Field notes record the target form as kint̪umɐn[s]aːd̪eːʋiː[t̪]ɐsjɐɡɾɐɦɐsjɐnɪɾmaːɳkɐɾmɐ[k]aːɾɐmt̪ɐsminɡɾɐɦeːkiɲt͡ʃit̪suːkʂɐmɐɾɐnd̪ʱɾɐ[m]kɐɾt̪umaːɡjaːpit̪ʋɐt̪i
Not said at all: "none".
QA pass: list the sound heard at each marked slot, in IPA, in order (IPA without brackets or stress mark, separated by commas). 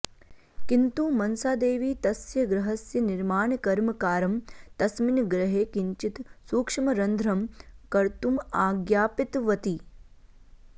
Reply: s, t̪, k, m